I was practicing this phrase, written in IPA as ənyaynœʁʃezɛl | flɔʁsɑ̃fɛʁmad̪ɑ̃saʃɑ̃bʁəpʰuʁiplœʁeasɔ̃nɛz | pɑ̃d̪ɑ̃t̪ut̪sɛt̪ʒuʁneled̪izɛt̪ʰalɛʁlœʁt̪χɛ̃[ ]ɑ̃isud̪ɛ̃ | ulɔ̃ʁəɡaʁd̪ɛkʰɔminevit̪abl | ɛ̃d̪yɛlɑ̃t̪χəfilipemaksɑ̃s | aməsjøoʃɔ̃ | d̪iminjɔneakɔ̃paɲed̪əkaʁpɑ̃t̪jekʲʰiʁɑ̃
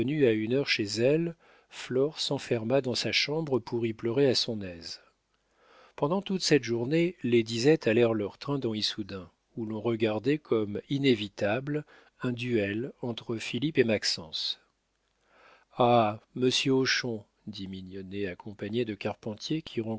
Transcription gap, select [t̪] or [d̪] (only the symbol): d̪